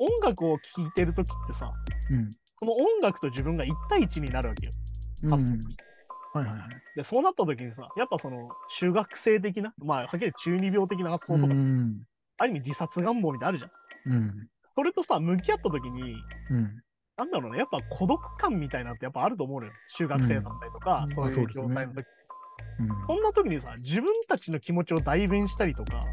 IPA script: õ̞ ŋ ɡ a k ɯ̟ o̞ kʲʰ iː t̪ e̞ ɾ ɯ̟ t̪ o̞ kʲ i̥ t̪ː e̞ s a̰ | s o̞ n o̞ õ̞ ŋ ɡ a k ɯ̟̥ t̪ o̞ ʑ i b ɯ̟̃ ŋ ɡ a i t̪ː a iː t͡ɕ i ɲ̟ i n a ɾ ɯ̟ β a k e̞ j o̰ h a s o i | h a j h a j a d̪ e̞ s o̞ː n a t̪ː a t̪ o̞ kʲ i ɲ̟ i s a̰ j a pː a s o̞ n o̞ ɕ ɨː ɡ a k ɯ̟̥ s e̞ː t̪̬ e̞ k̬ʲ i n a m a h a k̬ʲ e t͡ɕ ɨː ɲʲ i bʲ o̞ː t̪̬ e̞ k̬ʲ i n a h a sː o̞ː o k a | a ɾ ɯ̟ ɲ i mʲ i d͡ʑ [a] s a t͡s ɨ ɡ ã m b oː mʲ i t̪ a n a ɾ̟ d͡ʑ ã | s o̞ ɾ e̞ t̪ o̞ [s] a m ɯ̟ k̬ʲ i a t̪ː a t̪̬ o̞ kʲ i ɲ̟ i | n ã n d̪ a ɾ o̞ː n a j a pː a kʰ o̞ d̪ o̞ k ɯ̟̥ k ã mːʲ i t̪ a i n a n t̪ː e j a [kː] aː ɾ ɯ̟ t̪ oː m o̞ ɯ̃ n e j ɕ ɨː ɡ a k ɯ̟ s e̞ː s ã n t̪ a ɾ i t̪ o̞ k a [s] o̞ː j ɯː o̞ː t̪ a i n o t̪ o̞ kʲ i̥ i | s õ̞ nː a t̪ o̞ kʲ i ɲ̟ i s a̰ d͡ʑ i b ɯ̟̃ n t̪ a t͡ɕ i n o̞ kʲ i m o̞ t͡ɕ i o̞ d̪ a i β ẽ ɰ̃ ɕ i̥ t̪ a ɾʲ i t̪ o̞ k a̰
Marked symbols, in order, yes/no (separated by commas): no, yes, no, yes